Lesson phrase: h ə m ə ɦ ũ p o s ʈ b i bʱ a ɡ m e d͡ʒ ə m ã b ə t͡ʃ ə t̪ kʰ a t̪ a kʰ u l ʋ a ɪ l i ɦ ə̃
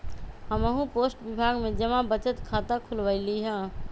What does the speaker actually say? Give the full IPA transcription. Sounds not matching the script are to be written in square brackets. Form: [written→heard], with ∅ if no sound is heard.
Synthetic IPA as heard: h ə m ə ɦ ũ p o s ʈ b i bʱ a ɡ m e d͡ʒ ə m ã b ə t͡ʃ ə t̪ kʰ a t̪ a kʰ u l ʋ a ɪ l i ɦ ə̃